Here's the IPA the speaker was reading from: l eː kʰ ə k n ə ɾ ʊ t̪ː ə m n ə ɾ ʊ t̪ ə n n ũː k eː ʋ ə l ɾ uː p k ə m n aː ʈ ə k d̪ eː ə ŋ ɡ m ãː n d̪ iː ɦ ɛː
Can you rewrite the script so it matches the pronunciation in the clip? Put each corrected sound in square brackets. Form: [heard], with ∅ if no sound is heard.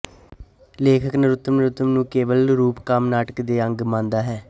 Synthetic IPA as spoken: l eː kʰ ə k n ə ɾ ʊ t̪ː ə m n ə ɾ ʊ t̪ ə [m] n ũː k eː ʋ ə l ɾ uː p k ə m n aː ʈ ə k d̪ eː ə ŋ ɡ m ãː n d̪ [aː] ɦ ɛː